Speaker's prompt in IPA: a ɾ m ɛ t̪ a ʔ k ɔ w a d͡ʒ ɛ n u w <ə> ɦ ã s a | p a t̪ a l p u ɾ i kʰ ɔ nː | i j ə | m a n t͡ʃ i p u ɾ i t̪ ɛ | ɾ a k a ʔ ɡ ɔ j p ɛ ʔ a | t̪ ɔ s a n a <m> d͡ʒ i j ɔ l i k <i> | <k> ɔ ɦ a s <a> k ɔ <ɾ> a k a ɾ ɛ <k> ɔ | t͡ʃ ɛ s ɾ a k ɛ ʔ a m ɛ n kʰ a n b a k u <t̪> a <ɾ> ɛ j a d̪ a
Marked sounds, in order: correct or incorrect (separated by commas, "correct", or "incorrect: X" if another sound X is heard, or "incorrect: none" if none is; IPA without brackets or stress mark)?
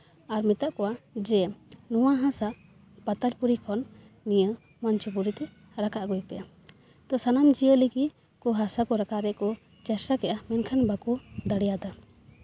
incorrect: a, correct, correct, correct, correct, correct, correct, incorrect: d̪, incorrect: ɽ